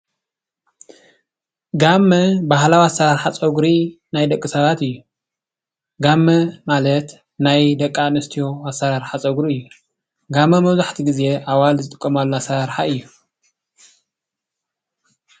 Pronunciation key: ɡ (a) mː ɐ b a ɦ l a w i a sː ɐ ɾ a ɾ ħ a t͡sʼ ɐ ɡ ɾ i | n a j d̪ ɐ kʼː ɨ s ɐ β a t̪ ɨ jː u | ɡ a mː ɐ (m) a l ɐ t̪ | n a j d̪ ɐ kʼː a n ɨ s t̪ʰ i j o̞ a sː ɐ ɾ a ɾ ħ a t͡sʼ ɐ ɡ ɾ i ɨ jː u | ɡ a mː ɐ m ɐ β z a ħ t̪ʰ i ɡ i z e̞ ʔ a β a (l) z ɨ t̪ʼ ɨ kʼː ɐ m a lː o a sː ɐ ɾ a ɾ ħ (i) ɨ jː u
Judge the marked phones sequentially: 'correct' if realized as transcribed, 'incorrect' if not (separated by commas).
correct, correct, correct, incorrect